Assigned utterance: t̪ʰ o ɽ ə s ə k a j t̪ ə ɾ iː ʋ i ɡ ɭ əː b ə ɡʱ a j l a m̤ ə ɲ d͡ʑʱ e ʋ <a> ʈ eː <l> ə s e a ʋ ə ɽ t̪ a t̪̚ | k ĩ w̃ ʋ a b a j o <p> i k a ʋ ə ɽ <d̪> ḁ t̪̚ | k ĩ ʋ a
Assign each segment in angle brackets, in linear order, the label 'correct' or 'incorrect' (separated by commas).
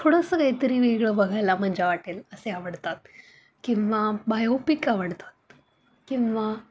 correct, correct, correct, incorrect